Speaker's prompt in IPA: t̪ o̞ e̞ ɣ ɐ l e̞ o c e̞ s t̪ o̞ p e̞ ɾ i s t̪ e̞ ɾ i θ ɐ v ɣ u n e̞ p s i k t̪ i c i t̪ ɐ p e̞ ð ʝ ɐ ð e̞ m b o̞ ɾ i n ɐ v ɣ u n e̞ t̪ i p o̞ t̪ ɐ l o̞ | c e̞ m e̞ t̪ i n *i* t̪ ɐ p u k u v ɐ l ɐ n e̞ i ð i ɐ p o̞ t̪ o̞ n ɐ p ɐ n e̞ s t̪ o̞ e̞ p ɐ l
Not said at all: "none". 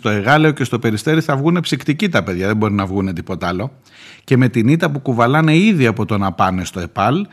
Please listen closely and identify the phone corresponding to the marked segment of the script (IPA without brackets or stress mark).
i